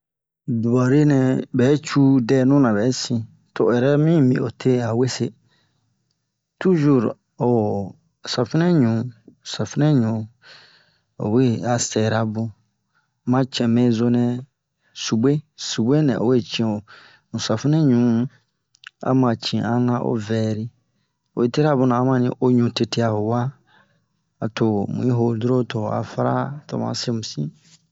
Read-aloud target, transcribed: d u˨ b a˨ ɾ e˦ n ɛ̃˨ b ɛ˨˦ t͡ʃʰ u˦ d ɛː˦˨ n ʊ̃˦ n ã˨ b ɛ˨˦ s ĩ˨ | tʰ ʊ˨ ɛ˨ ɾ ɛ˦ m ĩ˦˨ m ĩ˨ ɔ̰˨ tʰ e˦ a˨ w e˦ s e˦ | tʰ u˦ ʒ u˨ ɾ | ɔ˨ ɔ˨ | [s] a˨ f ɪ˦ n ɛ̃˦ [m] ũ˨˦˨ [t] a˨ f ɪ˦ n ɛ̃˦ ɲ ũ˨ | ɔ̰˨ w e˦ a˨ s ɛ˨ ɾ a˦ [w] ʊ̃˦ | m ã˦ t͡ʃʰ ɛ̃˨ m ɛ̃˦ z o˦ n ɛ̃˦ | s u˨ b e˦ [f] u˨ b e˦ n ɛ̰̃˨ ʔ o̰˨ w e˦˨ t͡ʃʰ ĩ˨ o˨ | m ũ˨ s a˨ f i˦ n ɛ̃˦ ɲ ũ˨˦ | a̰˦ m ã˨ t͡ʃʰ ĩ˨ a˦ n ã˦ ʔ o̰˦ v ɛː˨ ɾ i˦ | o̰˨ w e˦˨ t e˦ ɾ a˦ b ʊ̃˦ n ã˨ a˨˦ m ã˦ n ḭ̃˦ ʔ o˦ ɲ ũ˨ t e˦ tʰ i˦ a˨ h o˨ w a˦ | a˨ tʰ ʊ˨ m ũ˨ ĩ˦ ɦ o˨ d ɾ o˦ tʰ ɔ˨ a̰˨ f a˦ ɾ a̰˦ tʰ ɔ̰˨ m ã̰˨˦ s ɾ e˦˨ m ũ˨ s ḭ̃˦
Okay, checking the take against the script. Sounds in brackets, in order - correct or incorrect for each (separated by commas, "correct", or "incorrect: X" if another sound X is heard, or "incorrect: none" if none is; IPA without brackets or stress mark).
correct, incorrect: ɲ, incorrect: s, incorrect: b, incorrect: s